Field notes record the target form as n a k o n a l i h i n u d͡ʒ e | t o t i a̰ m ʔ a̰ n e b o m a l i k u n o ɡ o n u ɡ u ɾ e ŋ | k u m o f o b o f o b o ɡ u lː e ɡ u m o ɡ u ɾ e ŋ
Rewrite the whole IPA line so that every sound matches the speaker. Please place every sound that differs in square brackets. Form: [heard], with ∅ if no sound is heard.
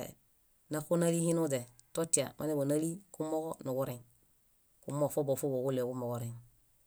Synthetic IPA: n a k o n a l i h i n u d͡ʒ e | t o t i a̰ m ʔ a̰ n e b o [n] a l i k u [m] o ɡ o n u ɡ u ɾ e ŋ | k u m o f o b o f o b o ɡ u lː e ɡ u m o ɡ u ɾ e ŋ